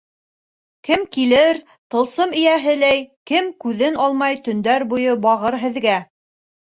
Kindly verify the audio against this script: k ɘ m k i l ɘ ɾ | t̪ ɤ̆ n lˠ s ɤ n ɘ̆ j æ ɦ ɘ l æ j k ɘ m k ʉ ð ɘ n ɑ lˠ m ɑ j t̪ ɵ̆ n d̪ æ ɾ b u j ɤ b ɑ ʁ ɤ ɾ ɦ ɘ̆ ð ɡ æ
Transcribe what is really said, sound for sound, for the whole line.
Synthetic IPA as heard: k ɘ m k i l ɘ ɾ | t̪ ɤ̆ lˠ s ɤ m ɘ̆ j æ ɦ ɘ l æ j k ɘ m k ʉ ð ɘ n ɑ lˠ m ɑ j t̪ ɵ̆ n d̪ æ ɾ b u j ɤ b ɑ ʁ ɤ ɾ ɦ ɘ̆ ð ɡ æ